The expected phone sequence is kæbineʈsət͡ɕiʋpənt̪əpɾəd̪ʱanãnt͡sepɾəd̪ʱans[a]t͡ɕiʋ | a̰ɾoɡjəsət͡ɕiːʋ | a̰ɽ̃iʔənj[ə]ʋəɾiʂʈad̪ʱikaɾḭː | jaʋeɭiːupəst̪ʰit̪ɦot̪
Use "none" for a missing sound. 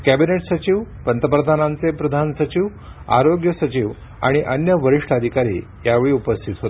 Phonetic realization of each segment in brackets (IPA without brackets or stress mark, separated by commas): ə, ə